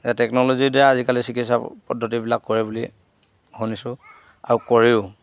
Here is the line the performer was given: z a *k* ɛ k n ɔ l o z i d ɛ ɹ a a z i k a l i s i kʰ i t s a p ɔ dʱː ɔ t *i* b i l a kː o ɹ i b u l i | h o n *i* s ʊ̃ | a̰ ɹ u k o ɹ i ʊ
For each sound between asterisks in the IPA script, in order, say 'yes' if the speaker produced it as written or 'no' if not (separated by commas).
no, yes, yes